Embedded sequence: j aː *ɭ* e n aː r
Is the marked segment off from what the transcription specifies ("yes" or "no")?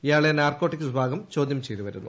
no